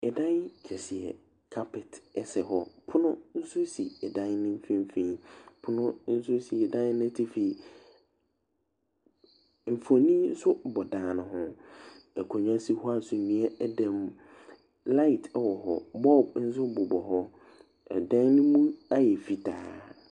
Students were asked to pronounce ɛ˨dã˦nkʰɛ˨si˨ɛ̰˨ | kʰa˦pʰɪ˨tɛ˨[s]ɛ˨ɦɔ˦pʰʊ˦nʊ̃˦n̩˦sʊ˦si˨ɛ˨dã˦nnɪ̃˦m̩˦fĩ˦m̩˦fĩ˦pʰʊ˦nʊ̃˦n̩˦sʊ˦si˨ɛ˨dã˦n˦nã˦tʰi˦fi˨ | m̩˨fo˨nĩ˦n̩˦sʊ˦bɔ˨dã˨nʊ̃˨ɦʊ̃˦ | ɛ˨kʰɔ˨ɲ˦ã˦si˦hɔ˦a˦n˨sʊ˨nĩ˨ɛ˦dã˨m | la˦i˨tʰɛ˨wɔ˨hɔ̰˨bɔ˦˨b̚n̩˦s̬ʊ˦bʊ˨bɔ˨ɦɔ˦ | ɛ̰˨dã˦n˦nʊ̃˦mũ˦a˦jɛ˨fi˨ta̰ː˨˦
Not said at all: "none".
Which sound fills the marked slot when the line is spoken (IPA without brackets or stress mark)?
s